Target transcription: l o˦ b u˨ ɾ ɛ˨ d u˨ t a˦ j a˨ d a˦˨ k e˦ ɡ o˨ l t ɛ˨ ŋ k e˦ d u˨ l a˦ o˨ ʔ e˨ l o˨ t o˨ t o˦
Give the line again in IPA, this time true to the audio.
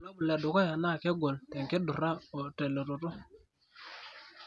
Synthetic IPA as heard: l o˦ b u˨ l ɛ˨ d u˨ k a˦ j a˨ n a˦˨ k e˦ ɡ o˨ l t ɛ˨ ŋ k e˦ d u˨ ɾ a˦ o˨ t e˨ l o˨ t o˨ t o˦